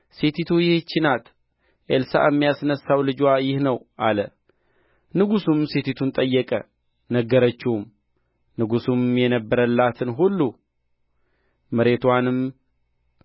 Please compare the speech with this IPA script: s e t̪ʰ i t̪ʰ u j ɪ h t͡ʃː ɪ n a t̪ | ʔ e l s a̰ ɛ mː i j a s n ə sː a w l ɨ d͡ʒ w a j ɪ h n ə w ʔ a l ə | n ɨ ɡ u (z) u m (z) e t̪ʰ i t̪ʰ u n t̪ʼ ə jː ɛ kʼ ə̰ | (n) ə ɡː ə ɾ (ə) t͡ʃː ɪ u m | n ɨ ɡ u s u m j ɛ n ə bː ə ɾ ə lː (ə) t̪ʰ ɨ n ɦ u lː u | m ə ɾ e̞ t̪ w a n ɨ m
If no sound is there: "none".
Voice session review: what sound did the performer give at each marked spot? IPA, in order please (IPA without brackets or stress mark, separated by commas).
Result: s, s, n, ə, a